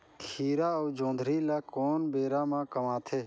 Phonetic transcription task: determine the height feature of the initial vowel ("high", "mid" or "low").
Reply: high